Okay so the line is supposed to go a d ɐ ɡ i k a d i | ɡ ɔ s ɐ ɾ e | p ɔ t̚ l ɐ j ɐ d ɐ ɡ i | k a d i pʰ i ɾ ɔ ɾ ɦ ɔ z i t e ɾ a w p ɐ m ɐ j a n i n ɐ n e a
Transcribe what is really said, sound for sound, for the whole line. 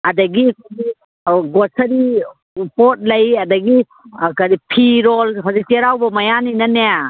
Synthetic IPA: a d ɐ ɡ i k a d i | ɡ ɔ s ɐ ɾ i | p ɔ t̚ l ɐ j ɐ d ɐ ɡ i | k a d i pʰ i ɾ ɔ l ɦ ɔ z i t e ɾ a w b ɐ m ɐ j a n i n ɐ n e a